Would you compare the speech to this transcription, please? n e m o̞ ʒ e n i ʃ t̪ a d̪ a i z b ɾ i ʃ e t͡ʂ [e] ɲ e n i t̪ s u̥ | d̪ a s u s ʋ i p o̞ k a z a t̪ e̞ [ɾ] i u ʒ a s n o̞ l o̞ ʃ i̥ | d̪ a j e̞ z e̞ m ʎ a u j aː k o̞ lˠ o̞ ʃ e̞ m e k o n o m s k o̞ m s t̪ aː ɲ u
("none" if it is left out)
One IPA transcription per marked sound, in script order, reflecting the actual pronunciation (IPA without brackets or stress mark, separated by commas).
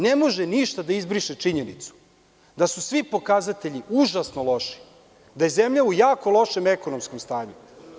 i, ʎ